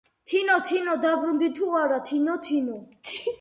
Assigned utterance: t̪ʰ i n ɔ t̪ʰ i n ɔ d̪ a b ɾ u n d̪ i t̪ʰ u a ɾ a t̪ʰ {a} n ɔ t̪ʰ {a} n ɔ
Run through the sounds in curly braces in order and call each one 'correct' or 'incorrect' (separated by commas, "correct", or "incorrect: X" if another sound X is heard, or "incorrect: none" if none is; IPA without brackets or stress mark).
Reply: incorrect: i, incorrect: i